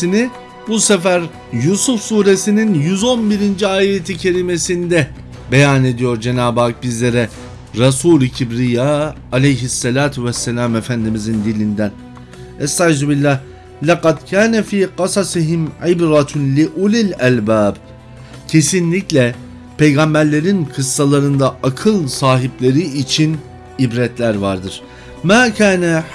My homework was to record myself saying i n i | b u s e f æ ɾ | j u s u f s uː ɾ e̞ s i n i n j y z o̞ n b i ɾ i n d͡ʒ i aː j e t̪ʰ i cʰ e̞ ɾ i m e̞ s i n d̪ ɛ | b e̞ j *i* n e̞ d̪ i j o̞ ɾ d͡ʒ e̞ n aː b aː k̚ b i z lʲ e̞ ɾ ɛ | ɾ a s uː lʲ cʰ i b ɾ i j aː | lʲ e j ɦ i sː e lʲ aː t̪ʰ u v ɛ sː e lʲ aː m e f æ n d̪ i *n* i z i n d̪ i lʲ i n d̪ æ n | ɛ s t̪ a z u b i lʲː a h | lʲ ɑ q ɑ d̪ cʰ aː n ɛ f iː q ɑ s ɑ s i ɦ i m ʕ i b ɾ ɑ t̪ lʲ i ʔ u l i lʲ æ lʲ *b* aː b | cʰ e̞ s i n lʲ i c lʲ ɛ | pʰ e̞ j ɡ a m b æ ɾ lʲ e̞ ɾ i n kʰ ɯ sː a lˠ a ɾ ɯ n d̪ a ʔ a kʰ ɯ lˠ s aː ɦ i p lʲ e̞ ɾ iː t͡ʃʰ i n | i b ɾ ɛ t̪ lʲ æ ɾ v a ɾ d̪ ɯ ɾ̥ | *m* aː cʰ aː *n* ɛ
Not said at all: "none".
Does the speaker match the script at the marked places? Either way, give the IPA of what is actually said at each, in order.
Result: a, m, b, m, n

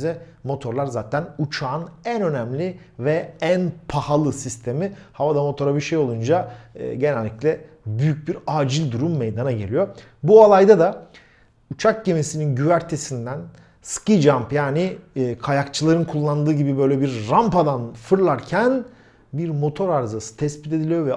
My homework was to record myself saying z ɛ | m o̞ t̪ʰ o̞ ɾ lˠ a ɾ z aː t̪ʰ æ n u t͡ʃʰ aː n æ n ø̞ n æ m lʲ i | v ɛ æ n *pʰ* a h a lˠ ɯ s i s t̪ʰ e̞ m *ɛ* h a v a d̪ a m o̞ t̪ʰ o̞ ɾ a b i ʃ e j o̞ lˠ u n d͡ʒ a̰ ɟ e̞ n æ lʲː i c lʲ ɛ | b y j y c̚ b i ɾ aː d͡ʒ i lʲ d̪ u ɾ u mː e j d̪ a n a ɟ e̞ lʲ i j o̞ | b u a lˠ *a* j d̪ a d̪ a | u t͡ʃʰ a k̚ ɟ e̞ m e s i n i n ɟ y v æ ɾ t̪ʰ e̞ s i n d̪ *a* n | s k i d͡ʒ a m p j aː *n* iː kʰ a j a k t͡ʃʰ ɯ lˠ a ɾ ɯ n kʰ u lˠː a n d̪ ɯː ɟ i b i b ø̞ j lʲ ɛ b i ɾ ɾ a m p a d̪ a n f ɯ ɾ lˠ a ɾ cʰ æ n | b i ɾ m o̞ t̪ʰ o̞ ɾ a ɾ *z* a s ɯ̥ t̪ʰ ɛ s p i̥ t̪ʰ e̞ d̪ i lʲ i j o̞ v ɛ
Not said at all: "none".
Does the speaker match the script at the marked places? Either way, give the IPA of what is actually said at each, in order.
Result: pʰ, i, a, æ, n, z

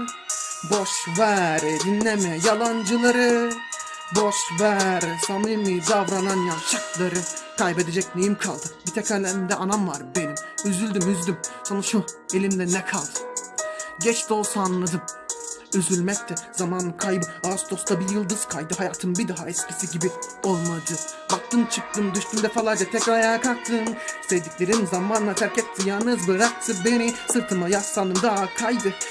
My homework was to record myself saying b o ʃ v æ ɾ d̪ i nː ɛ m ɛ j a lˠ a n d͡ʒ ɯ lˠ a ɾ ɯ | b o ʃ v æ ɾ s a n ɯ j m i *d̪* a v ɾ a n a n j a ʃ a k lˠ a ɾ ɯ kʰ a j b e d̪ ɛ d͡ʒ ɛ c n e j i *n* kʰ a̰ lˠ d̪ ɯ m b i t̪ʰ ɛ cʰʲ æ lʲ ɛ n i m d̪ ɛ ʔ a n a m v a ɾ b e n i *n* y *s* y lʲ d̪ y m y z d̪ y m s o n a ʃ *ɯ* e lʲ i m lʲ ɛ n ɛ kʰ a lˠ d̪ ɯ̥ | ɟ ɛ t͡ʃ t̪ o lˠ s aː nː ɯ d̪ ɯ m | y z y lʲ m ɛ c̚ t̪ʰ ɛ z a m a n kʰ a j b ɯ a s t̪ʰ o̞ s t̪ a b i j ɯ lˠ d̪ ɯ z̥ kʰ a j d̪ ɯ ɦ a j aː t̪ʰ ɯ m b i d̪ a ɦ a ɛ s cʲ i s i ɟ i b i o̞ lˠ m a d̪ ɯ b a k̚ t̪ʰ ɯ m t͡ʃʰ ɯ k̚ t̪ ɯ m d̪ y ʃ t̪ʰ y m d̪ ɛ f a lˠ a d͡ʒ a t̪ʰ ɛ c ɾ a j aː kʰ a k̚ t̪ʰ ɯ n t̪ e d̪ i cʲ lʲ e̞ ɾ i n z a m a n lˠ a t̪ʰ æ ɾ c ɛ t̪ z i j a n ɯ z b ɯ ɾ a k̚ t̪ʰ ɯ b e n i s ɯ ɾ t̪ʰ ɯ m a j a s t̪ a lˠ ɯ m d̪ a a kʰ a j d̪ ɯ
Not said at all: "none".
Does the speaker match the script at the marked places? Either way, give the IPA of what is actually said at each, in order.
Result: d̪, m, m, z, u

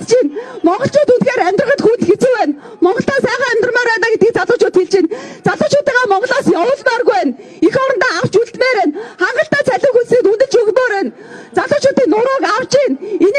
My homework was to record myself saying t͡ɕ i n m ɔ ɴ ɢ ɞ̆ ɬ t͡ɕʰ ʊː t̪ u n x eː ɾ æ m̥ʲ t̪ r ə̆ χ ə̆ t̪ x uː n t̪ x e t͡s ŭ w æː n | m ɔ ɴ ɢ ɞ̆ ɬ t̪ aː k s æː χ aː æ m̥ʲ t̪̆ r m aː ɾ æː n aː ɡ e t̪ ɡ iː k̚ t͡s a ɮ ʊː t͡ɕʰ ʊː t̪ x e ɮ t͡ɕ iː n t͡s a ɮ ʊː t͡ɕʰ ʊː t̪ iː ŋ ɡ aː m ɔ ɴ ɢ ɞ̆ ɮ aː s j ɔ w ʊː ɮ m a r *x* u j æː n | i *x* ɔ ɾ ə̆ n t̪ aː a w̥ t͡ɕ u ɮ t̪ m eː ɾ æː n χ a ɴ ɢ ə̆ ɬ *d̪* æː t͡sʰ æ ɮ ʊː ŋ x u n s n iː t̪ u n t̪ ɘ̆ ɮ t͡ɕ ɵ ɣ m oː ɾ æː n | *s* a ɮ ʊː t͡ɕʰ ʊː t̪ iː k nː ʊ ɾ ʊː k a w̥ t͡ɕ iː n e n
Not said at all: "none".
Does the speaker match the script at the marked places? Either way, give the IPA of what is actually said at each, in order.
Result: ɣ, x, t̪, t͡s

